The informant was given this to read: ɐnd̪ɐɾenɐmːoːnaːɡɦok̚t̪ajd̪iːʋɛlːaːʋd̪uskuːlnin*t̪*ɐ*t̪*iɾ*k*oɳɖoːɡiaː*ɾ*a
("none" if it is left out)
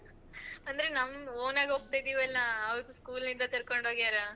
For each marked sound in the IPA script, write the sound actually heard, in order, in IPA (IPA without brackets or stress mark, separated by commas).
d̪, t̪, k, ɾ